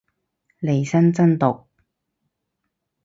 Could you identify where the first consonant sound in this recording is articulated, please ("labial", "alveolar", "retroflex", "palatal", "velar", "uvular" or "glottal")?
alveolar